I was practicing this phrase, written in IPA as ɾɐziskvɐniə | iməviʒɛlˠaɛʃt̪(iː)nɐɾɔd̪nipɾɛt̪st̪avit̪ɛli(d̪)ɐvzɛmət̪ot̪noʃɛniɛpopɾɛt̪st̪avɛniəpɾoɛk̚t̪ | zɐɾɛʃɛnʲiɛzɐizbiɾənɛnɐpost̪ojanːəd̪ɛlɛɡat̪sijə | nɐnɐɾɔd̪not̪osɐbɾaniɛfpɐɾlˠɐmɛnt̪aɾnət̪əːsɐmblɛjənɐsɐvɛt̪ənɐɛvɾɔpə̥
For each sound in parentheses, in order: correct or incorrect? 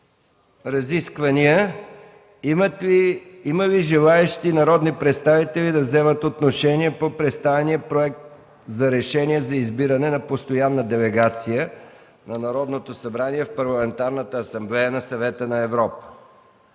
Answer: incorrect, correct

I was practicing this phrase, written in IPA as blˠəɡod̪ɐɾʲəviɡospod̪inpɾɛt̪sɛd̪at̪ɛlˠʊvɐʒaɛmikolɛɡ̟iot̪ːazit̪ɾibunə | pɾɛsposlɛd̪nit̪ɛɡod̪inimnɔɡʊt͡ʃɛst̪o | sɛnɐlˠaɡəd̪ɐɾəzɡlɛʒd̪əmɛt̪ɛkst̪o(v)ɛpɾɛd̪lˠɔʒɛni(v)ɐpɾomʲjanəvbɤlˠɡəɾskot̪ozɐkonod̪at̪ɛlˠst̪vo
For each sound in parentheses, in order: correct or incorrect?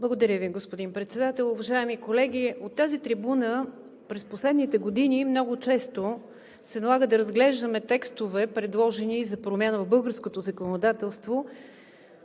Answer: correct, incorrect

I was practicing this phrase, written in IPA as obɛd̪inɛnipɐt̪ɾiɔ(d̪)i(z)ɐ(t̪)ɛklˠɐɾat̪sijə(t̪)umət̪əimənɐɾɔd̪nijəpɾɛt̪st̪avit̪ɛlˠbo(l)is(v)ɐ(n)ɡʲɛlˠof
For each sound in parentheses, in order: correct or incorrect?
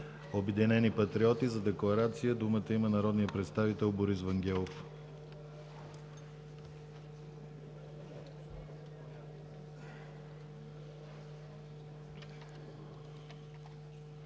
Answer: incorrect, correct, incorrect, incorrect, incorrect, correct, incorrect

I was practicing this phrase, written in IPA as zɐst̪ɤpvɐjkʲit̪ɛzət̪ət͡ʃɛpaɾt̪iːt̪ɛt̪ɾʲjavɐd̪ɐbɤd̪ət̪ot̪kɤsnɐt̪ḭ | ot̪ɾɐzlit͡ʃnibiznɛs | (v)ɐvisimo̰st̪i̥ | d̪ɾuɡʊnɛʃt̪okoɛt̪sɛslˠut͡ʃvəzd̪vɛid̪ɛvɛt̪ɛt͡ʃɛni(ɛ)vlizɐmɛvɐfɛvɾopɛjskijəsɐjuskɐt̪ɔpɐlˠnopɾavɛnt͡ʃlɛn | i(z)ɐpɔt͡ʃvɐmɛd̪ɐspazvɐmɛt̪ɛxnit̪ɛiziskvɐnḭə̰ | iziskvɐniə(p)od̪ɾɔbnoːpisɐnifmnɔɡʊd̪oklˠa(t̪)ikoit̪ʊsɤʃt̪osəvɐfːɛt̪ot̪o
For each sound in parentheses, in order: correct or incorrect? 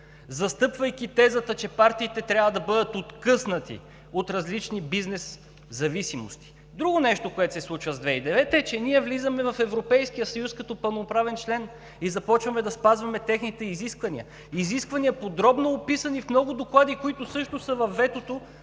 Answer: incorrect, correct, correct, correct, incorrect

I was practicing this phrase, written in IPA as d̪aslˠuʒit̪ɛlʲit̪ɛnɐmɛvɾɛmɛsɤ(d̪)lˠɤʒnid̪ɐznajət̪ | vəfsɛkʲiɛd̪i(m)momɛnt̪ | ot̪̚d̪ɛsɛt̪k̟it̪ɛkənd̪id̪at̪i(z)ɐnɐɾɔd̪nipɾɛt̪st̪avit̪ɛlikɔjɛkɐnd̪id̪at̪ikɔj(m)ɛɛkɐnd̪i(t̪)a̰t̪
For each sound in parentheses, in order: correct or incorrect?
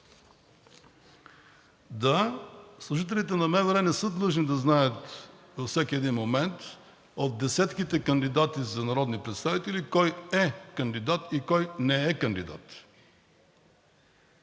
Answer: correct, incorrect, correct, incorrect, incorrect

